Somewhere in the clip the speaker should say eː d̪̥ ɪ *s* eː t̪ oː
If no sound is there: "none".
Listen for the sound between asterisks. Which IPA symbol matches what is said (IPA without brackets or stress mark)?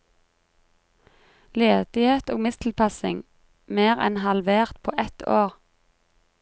h